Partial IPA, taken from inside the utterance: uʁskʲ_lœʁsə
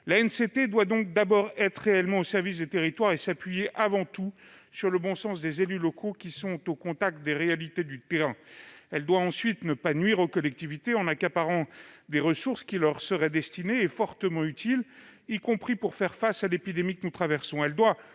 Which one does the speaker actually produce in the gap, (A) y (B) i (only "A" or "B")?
B